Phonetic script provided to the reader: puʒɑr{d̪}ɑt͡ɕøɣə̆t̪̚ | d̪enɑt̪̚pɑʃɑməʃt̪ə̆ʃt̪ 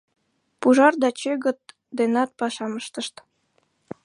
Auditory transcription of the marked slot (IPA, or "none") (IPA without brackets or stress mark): d̪